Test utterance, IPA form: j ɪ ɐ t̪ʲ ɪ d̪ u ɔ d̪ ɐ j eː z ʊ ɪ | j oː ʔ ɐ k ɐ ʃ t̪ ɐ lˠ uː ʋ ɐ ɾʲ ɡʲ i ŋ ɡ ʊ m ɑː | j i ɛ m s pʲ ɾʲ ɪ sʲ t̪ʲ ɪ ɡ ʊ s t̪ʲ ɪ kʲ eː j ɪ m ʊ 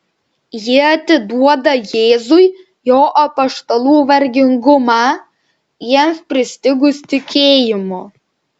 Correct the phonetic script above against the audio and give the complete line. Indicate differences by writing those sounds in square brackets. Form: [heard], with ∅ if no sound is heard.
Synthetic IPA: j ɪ ɐ t̪ʲ ɪ d̪ u ɔ d̪ ɐ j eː z ʊ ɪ | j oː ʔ ɐ [p] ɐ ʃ t̪ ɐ lˠ uː ʋ ɐ ɾʲ ɡʲ [ɪ] ŋ ɡ ʊ m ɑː | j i ɛ m s pʲ ɾʲ ɪ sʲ t̪ʲ ɪ ɡ ʊ s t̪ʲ ɪ kʲ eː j ɪ m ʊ

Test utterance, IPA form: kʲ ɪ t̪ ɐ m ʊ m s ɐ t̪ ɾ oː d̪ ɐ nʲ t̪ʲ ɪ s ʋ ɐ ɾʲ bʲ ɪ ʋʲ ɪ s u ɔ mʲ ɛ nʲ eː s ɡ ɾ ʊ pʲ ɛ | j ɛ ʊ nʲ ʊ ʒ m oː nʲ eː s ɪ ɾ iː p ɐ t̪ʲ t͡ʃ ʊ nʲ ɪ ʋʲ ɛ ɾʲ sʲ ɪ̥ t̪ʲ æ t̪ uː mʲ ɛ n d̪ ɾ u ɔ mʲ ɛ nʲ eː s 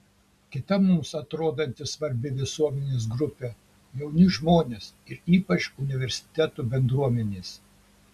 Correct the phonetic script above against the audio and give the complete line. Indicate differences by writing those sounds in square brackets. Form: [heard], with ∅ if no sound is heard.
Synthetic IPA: kʲ ɪ t̪ ɐ m ʊ m s ɐ t̪ ɾ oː d̪ ɐ nʲ t̪ʲ ɪ s ʋ ɐ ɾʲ bʲ ɪ ʋʲ ɪ s u ɔ mʲ ɛ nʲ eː s ɡ ɾ ʊ pʲ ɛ | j ɛ ʊ nʲ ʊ ʒ m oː nʲ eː s ɪ ɾ iː p ɐ [∅] t͡ʃ ʊ nʲ ɪ ʋʲ ɛ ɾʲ sʲ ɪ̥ t̪ʲ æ t̪ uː [bʲ] ɛ n d̪ ɾ u ɔ mʲ ɛ nʲ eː s

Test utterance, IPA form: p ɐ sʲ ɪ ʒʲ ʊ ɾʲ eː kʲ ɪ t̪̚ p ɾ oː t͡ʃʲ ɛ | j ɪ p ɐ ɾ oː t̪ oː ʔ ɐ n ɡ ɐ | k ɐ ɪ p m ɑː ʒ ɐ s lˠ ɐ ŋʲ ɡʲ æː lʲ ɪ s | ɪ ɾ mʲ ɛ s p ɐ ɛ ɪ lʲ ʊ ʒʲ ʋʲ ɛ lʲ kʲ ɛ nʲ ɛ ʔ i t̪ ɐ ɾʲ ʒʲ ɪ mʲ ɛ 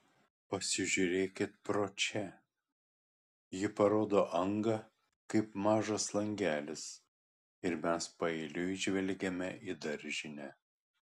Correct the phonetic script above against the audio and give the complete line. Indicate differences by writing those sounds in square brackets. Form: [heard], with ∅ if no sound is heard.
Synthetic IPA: p ɐ sʲ ɪ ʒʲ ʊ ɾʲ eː kʲ ɪ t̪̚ p ɾ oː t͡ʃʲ ɛ | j ɪ p ɐ ɾ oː [d̪] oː ʔ ɐ [ŋ] ɡ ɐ | k ɐ ɪ p m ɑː ʒ ɐ s lˠ ɐ ŋʲ ɡʲ æː lʲ ɪ s | ɪ ɾ mʲ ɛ s p ɐ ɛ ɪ lʲ ʊ ʒʲ ʋʲ ɛ lʲ [ɡʲ] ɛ [mʲ] ɛ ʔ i [d̪] ɐ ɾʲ ʒʲ ɪ [nʲ] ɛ

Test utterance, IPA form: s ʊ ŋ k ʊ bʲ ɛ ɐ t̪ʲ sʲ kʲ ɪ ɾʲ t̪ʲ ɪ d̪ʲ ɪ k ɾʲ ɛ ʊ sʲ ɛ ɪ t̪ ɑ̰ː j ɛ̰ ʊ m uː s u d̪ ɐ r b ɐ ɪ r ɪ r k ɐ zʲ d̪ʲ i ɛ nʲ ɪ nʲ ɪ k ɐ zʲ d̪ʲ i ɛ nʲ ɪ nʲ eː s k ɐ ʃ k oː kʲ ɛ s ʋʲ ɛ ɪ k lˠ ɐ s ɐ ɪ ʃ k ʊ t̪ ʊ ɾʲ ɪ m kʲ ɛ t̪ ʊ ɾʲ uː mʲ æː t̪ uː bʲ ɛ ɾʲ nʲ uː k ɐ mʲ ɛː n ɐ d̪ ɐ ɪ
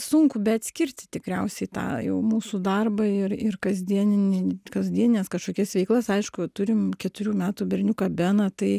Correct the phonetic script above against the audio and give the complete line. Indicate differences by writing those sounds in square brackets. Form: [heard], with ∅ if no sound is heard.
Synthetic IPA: s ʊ ŋ k ʊ bʲ ɛ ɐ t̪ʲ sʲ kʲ ɪ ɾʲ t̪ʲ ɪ [t̪ʲ] ɪ k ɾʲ ɛ ʊ sʲ ɛ ɪ t̪ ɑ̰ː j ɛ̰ ʊ m uː s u d̪ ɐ r b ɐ ɪ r ɪ r k ɐ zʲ d̪ʲ i ɛ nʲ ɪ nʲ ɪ k ɐ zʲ d̪ʲ i ɛ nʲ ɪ nʲ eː s k ɐ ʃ k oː kʲ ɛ s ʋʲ ɛ ɪ k lˠ ɐ s ɐ ɪ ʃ k ʊ t̪ ʊ ɾʲ ɪ m kʲ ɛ t̪ ʊ ɾʲ uː mʲ æː t̪ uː bʲ ɛ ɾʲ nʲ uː k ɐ [bʲ] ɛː n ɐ [t̪] ɐ ɪ

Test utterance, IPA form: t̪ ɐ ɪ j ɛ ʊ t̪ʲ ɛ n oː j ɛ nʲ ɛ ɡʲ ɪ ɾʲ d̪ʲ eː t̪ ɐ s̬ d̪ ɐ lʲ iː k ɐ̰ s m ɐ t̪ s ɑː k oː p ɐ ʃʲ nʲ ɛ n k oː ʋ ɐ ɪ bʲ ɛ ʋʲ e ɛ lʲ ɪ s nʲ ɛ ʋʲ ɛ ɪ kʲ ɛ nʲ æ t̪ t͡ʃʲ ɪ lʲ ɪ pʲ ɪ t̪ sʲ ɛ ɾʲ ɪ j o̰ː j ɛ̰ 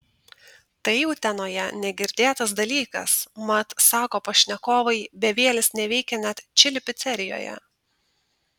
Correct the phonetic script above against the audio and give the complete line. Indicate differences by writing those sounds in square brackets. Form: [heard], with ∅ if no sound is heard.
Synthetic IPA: t̪ ɐ ɪ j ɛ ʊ t̪ʲ ɛ n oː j ɛ nʲ ɛ ɡʲ ɪ ɾʲ d̪ʲ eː t̪ ɐ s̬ d̪ ɐ lʲ iː k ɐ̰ s m ɐ t̪ s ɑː k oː p ɐ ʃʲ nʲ ɛ [∅] k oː ʋ ɐ ɪ bʲ ɛ ʋʲ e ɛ lʲ ɪ s nʲ ɛ ʋʲ ɛ ɪ kʲ ɛ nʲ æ t̪ t͡ʃʲ ɪ lʲ ɪ pʲ ɪ t̪ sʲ ɛ ɾʲ ɪ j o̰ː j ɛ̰

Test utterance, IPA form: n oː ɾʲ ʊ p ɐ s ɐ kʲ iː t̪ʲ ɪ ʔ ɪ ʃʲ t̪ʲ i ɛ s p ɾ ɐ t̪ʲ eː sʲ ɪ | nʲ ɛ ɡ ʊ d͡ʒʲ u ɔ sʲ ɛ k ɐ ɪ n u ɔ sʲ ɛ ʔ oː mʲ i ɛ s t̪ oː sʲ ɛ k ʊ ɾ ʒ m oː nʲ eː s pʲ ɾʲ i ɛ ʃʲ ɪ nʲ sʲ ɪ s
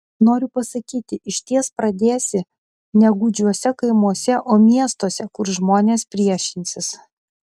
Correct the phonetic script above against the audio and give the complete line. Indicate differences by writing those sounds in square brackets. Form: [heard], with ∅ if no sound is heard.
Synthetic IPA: n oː ɾʲ ʊ p ɐ s ɐ kʲ iː t̪ʲ ɪ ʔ ɪ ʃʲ t̪ʲ i ɛ s p ɾ ɐ [d̪ʲ] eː sʲ ɪ | nʲ ɛ ɡ ʊ d͡ʒʲ u ɔ sʲ ɛ k ɐ ɪ [m] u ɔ sʲ ɛ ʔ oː mʲ i ɛ s t̪ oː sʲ ɛ k ʊ ɾ ʒ m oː nʲ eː s pʲ ɾʲ i ɛ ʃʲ ɪ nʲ sʲ ɪ s

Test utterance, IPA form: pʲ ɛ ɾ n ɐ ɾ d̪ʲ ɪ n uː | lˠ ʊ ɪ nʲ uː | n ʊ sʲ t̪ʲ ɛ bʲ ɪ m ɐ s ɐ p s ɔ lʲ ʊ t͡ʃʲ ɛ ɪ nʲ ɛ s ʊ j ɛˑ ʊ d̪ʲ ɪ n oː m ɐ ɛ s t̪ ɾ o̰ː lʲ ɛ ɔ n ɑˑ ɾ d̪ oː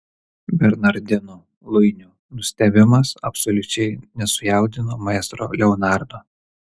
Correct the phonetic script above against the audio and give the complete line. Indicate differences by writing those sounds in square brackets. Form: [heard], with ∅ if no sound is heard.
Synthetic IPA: [bʲ] ɛ ɾ n ɐ ɾ d̪ʲ ɪ n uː | lˠ ʊ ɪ nʲ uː | n ʊ sʲ t̪ʲ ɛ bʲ ɪ m ɐ s ɐ p s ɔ lʲ ʊ t͡ʃʲ ɛ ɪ nʲ ɛ s ʊ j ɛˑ ʊ d̪ʲ ɪ n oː m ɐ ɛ s t̪ ɾ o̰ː lʲ ɛ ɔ n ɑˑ ɾ d̪ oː

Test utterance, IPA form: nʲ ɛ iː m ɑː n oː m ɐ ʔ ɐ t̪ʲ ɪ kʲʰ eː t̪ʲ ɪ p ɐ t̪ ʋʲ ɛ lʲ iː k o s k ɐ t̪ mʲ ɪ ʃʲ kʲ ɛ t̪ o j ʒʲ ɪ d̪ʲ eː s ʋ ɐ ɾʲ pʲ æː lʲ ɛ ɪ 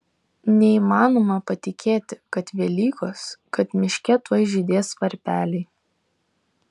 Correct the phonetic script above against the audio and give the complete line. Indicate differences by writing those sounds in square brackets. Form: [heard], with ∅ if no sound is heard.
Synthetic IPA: nʲ ɛ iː m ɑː n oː m ɐ [p] ɐ t̪ʲ ɪ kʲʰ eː t̪ʲ ɪ [k] ɐ t̪ ʋʲ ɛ lʲ iː k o s k ɐ t̪ mʲ ɪ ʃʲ kʲ ɛ t̪ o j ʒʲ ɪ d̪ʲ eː s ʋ ɐ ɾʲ pʲ æː lʲ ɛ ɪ

